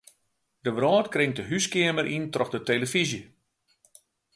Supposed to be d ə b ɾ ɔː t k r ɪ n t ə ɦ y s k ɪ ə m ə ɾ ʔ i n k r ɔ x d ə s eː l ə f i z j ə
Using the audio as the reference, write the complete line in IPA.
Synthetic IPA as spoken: d ə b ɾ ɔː t k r ɪ ŋ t ə ɦ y s k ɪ ə m ə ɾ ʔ i n t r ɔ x d ə t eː l ə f i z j ə